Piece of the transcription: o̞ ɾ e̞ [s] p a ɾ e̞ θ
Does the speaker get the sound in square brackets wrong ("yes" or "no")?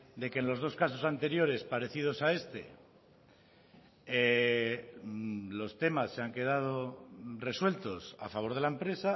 no